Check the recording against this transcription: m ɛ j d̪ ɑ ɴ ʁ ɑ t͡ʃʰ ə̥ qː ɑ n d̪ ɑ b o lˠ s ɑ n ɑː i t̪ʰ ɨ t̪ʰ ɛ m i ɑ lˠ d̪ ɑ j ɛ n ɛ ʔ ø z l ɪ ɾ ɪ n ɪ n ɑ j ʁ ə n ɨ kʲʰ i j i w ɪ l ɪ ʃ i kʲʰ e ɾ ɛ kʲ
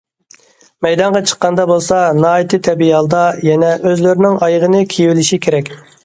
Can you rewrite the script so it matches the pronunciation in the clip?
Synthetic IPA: m ɛ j d̪ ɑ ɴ ʁ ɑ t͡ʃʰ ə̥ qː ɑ n d̪ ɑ b o lˠ s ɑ n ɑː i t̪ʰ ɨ t̪ʰ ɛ b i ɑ lˠ d̪ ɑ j ɛ n ɛ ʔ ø z l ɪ ɾ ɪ n ɪ ŋ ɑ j ʁ ə n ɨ kʲʰ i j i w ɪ l ɪ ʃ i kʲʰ e ɾ ɛ kʲ